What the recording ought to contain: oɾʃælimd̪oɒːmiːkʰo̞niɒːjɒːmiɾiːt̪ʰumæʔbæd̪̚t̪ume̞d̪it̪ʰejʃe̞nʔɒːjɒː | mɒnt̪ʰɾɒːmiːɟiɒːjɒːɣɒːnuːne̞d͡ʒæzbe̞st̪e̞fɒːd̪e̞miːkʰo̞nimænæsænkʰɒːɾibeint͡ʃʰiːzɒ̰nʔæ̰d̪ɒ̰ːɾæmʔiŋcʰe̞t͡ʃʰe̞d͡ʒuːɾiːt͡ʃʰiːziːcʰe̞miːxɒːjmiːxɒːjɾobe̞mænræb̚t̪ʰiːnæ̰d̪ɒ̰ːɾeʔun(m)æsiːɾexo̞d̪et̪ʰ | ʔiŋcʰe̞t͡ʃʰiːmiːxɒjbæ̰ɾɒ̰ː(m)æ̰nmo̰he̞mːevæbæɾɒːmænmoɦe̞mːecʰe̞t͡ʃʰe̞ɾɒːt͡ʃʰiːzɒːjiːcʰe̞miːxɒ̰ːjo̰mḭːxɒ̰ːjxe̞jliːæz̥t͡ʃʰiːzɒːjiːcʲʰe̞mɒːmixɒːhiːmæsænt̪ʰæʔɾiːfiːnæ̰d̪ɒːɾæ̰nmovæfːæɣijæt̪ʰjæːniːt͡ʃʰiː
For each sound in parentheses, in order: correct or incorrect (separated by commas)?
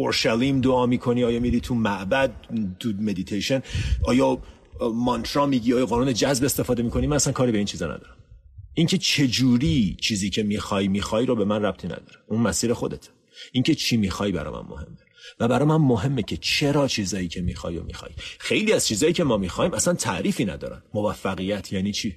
correct, correct